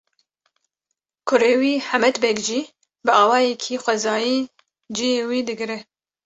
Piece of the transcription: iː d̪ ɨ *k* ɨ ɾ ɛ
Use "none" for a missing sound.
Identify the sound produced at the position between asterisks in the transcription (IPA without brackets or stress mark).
ɡ